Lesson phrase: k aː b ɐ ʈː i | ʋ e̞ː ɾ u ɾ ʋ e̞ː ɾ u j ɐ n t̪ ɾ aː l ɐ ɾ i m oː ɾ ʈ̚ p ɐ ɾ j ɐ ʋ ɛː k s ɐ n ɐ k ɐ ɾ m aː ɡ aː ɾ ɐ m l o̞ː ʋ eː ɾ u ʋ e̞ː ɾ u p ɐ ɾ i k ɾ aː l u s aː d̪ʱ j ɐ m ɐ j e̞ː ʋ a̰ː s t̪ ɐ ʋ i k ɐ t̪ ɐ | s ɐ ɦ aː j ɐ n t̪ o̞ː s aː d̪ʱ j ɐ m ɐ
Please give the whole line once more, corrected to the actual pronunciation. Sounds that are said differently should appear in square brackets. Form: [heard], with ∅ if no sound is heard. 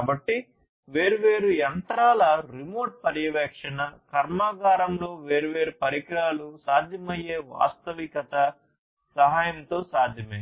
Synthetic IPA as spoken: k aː b ɐ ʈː i | ʋ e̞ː ɾ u [∅] ʋ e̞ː ɾ u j ɐ n t̪ ɾ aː l ɐ ɾ i m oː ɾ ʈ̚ p ɐ ɾ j ɐ ʋ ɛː k [ʂ] ɐ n ɐ k ɐ ɾ m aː ɡ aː ɾ ɐ m l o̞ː ʋ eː ɾ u ʋ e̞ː ɾ u p ɐ ɾ i k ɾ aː l u s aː d̪ʱ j ɐ m ɐ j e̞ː ʋ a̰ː s t̪ ɐ ʋ i k ɐ t̪ ɐ | s ɐ ɦ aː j ɐ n t̪ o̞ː s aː d̪ʱ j ɐ m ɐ

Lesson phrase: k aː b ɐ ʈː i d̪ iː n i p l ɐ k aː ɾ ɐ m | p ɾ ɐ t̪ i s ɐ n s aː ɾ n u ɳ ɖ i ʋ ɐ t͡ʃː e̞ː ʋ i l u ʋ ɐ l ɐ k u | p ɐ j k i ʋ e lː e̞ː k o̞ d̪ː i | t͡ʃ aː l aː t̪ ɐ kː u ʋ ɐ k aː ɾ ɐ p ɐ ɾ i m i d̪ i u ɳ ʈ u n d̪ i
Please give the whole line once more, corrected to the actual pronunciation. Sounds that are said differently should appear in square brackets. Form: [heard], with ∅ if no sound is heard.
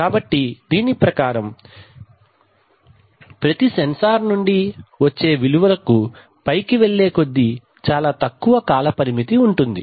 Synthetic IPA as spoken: k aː b ɐ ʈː i d̪ iː n i p [ɾ] ɐ k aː ɾ ɐ m | p ɾ ɐ t̪ i s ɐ n s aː ɾ n u ɳ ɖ i ʋ ɐ t͡ʃː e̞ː ʋ i l u ʋ ɐ l ɐ k u | p ɐ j k i ʋ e [ɭː] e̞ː k o̞ d̪ː i | t͡ʃ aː l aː t̪ ɐ kː u ʋ ɐ k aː [l] ɐ p ɐ ɾ i m i [t̪] i u ɳ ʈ u n d̪ i

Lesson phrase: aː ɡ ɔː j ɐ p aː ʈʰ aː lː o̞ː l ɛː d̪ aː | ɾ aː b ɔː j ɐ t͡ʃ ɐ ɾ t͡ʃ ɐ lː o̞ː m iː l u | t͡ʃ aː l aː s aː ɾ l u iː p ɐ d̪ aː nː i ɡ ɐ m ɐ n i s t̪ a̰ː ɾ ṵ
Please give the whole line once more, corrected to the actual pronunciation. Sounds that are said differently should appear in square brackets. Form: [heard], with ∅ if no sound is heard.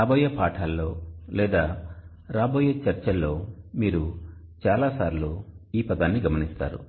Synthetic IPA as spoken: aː [b] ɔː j ɐ p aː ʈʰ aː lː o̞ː l ɛː d̪ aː | ɾ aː b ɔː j ɐ t͡ʃ ɐ ɾ t͡ʃ ɐ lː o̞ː m iː [ɾ] u | t͡ʃ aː l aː s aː ɾ l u iː p ɐ d̪ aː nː i ɡ ɐ m ɐ n i s t̪ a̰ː ɾ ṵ

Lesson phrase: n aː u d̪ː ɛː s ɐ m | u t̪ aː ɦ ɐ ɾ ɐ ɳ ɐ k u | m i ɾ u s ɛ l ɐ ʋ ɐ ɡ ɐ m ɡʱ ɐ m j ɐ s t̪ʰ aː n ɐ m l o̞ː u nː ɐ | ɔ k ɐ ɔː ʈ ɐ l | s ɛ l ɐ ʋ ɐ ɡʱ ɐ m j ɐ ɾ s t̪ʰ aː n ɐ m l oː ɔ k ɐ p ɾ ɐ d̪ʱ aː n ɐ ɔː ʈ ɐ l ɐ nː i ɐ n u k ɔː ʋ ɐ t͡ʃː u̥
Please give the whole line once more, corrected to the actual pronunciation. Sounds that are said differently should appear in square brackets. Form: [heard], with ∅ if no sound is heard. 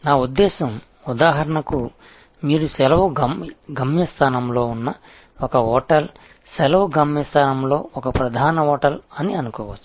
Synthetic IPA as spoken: n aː u d̪ː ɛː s ɐ m | u [d̪] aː ɦ ɐ ɾ ɐ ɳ ɐ k u | m [iː] ɾ u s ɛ l ɐ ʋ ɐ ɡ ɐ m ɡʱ ɐ m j ɐ s t̪ʰ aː n ɐ m l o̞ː u nː ɐ | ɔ k ɐ ɔː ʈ ɐ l | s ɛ l ɐ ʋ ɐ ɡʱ ɐ m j ɐ [∅] s t̪ʰ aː n ɐ m l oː ɔ k ɐ p ɾ ɐ d̪ʱ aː n ɐ ɔː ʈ ɐ l ɐ [n] i ɐ n u k ɔː ʋ ɐ t͡ʃː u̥

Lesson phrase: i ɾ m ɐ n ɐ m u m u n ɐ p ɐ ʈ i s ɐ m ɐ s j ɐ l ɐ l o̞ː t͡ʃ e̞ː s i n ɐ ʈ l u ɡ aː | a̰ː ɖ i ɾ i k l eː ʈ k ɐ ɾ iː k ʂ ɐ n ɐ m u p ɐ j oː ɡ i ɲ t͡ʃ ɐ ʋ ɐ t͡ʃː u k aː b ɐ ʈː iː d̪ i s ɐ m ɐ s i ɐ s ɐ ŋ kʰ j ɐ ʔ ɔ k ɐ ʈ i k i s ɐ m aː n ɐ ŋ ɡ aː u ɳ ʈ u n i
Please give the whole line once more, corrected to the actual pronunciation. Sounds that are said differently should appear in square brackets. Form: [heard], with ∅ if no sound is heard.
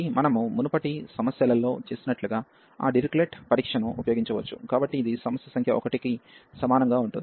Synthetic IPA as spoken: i [∅] m ɐ n ɐ m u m u n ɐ p ɐ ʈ i s ɐ m ɐ s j ɐ l ɐ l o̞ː t͡ʃ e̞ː s i n ɐ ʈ l u ɡ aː | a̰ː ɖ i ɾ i k l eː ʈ [p] ɐ ɾ iː k ʂ ɐ n ɐ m u p ɐ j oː ɡ i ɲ t͡ʃ ɐ ʋ ɐ t͡ʃː u k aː b ɐ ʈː iː d̪ i s ɐ m ɐ s [j] ɐ s ɐ ŋ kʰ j ɐ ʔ ɔ k ɐ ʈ i k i s ɐ m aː n ɐ ŋ ɡ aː u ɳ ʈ u n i

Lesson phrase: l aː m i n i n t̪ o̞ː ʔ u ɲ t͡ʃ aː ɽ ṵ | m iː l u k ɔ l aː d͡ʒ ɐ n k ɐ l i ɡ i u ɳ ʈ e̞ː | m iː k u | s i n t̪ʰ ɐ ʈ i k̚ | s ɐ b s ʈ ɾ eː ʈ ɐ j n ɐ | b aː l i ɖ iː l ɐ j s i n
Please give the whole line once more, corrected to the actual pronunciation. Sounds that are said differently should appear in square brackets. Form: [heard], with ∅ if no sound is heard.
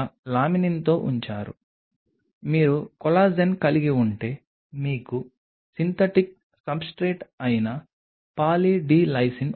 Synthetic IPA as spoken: l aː m i n i n t̪ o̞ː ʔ u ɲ t͡ʃ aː [ɾ] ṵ | m iː [ɾ] u k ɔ l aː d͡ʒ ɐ n k ɐ l i ɡ i u ɳ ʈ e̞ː | m iː k u | s i n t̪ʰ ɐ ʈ i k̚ | s ɐ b s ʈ ɾ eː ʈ ɐ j n ɐ | [p] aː l i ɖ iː l ɐ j s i n

